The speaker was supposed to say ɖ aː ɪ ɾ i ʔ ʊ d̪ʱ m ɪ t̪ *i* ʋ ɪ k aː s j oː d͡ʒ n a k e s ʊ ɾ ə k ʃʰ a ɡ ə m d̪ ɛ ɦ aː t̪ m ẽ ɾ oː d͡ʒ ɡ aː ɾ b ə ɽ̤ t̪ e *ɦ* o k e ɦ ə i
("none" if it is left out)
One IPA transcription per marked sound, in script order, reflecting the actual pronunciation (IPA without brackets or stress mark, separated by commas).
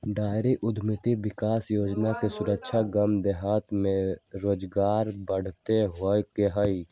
i, ɦ